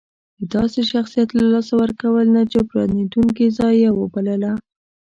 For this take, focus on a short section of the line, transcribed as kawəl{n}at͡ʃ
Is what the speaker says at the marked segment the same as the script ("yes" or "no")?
yes